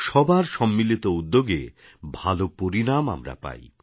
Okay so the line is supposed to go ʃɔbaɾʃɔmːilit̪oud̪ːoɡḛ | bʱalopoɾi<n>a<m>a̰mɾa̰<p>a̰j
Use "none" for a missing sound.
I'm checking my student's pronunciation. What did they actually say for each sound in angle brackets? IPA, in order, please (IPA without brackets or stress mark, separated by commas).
n, m, p